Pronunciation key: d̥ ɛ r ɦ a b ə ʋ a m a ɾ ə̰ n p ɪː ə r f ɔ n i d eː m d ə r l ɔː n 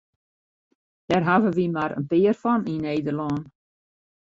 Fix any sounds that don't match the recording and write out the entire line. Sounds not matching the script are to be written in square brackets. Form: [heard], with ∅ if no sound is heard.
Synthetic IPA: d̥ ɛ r ɦ a [v] ə ʋ [i] m a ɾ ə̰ n p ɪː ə r f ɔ n i [n] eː [∅] d ə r l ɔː n

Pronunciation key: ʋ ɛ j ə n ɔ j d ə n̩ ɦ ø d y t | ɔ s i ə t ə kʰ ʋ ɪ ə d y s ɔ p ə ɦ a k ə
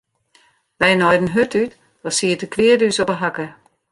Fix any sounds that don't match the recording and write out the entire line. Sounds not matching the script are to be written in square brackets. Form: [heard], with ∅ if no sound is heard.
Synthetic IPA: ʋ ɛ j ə n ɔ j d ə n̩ ɦ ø [t] y t | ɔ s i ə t ə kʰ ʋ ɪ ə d y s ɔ p ə ɦ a k ə

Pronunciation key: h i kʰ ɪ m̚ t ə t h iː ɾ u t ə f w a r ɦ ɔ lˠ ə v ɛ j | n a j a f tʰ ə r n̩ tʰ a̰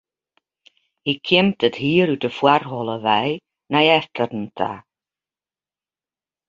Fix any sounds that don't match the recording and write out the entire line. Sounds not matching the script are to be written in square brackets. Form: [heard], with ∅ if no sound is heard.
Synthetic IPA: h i kʰ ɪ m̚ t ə t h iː ɾ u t ə f w a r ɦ ɔ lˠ ə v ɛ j | n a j [ɛ] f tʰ ə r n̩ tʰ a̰

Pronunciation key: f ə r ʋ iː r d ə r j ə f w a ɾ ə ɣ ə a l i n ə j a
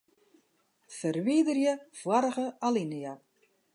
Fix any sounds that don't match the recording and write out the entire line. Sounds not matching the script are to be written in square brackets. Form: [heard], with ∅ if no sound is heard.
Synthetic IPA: f ə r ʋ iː [∅] d ə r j ə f w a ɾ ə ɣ ə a l i n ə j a

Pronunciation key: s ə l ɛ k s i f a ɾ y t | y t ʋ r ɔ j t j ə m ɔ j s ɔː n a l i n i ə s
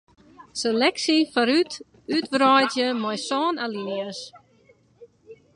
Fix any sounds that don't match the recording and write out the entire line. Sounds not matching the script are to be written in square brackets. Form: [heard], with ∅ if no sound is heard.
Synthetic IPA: s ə l ɛ k s i f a ɾ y t | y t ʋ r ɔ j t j ə m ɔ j s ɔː n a l i n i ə s

